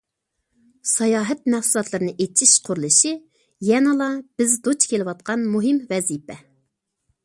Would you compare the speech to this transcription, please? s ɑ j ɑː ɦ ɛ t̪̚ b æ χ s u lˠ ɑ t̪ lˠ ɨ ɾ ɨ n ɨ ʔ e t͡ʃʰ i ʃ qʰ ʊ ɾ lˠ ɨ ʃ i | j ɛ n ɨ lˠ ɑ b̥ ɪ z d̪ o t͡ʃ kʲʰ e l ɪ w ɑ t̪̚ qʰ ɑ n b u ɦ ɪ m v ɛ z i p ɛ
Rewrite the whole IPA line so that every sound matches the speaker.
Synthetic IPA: s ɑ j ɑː ɦ ɛ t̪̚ m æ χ s u lˠ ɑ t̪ lˠ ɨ ɾ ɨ n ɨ ʔ e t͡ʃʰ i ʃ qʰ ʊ ɾ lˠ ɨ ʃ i | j ɛ n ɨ lˠ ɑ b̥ ɪ z d̪ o t͡ʃ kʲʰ e l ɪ w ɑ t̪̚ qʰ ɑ n m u ɦ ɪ m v ɛ z i p ɛ